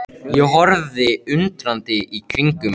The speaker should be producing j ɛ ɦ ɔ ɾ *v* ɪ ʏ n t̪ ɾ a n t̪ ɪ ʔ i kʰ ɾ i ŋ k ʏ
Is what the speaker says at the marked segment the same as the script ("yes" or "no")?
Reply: no